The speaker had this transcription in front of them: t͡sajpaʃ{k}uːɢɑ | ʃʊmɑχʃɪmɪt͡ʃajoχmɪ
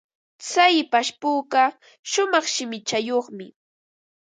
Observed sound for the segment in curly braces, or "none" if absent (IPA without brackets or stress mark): p